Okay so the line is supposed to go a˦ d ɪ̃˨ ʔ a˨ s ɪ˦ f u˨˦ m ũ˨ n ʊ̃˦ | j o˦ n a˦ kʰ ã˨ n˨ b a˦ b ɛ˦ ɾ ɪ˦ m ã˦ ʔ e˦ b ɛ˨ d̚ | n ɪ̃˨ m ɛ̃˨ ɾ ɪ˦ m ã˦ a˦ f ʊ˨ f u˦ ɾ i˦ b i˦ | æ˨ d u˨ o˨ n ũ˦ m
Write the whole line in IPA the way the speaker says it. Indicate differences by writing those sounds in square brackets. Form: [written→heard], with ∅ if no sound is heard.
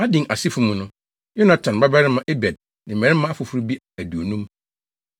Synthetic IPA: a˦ d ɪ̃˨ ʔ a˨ s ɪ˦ f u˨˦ m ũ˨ n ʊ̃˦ | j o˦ n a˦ [kʰ→tʰ] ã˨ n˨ b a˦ b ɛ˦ ɾ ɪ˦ m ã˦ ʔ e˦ b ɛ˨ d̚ | n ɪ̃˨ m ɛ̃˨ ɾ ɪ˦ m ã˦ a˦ f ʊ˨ f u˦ ɾ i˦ b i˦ | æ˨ d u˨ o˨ n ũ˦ m

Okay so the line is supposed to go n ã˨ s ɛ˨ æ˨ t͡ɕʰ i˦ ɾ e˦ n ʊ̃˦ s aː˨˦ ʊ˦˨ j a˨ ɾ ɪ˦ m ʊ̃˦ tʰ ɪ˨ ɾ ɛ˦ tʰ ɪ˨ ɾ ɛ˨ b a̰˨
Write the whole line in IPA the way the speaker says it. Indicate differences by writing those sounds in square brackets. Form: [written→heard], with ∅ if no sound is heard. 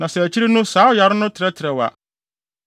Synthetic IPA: n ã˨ s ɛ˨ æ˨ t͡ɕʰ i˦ ɾ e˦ n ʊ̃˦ s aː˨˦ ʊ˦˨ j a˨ ɾ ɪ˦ [m→n] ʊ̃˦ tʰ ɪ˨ ɾ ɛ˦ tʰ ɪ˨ ɾ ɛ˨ [b→w] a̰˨

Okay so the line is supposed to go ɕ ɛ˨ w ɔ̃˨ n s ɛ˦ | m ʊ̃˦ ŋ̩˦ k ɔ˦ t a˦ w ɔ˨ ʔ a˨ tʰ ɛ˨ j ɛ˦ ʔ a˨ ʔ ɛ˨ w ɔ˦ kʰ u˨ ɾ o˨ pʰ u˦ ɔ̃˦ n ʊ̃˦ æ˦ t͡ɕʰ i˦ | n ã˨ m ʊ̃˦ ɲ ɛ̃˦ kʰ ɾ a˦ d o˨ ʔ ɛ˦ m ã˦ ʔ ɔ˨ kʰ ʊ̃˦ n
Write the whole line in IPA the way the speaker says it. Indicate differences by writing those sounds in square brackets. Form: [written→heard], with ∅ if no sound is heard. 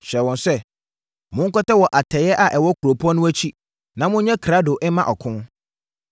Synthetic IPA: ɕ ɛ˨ w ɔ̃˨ n s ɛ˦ | m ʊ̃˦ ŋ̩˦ k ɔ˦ t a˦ w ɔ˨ ʔ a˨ tʰ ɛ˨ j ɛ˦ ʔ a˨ ʔ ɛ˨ w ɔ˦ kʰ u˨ ɾ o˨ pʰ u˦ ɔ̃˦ n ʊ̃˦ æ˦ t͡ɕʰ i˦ | n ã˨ m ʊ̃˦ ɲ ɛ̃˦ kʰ ɾ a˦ d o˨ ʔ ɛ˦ m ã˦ ʔ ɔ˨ kʰ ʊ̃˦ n

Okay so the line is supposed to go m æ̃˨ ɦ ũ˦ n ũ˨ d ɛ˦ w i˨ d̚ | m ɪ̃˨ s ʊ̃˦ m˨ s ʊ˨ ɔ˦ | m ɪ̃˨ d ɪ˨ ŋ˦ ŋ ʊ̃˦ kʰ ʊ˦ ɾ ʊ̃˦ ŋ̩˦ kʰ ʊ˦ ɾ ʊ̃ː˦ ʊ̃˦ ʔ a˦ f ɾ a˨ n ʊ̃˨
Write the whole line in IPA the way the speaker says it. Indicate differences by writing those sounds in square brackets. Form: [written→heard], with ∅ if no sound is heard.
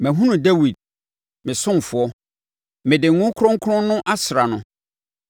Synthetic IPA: m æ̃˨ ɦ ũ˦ n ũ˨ d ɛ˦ w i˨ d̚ | m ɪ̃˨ s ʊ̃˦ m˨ [s→f] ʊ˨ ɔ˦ | m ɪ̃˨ d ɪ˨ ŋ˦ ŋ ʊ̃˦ kʰ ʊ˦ ɾ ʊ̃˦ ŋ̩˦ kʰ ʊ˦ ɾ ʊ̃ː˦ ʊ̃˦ ʔ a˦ [f→s] ɾ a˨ n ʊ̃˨

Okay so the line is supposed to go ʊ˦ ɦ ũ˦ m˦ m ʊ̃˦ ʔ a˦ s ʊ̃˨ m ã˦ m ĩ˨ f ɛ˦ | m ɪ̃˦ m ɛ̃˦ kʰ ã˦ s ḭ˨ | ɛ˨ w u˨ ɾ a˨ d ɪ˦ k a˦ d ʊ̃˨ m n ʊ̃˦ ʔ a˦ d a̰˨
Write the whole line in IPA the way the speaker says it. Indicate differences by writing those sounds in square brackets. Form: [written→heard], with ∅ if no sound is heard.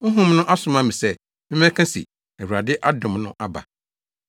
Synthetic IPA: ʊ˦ ɦ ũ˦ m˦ [m→n] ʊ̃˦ ʔ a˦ s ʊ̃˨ m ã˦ m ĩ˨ [f→s] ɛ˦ | m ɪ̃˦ m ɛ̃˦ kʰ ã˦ s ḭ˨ | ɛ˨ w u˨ ɾ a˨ d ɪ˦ [k→ʔ] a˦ d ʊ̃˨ m n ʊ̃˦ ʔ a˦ [d→b] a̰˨

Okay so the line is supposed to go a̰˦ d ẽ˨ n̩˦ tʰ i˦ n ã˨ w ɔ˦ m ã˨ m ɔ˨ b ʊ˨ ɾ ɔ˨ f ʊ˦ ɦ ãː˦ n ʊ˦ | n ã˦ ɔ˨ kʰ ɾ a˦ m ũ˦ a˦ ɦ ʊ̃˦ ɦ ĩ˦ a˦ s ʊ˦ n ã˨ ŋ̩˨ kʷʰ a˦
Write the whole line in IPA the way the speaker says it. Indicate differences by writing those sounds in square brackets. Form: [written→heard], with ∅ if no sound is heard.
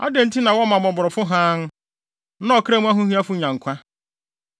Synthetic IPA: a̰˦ d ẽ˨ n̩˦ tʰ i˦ n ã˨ w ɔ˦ m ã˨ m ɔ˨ b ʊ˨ ɾ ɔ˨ f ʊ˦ ɦ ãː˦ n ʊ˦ | n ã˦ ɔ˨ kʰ ɾ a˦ m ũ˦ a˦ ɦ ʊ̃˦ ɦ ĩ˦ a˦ [s→f] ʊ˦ [n→ɲ] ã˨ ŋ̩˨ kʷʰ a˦

